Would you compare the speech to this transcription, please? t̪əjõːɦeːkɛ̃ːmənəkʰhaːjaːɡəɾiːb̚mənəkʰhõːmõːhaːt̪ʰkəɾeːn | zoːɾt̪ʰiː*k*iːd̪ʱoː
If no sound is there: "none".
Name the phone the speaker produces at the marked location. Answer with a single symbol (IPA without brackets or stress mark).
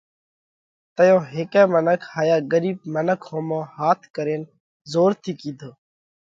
k